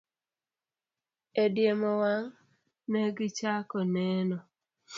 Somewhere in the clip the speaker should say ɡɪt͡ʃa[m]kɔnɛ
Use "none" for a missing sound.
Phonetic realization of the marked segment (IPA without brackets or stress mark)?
none